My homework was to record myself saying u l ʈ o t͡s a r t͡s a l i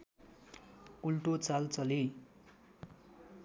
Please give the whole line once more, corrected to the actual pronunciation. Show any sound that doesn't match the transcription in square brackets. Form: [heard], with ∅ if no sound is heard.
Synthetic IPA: u l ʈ o t͡s a [l] t͡s [ʌ] l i

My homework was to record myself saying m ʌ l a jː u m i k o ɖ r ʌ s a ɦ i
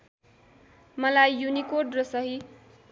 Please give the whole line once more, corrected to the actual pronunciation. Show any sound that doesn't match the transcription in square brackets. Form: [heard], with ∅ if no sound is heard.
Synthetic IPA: m ʌ l a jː u [n] i k o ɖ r ʌ s [ʌ] ɦ i

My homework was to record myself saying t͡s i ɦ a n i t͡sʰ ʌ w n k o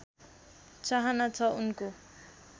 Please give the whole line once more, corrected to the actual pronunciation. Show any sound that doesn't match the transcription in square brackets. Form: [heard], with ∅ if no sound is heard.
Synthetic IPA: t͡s [a] ɦ a n [a] t͡sʰ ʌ [u] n k o

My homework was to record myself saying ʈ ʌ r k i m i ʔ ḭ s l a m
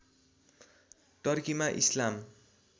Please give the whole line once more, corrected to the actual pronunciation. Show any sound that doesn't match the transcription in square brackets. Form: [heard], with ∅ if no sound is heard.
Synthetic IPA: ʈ ʌ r k i m [a] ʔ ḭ s l a m

